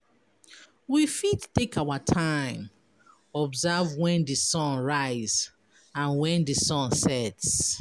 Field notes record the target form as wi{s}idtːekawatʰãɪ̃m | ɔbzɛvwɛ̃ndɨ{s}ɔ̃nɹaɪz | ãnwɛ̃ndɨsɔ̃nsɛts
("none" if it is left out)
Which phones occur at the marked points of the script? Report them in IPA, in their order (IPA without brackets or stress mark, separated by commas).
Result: f, s